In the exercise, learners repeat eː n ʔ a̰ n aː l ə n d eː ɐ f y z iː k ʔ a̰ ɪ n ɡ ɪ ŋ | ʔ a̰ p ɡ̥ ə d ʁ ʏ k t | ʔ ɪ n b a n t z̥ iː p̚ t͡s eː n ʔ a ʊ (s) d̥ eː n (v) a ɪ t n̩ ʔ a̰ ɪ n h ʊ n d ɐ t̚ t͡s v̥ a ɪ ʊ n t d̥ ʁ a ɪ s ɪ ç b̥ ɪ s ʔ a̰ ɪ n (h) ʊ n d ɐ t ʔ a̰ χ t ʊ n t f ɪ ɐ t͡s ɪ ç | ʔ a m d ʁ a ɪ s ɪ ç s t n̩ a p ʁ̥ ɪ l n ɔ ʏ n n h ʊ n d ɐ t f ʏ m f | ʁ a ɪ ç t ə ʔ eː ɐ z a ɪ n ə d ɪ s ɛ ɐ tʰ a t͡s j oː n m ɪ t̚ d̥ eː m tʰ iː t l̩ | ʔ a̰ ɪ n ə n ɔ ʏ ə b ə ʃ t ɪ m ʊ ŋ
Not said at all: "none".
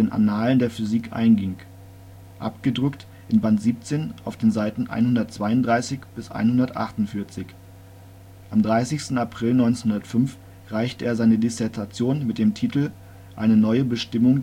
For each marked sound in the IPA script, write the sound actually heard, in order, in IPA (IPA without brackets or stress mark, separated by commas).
f, z, h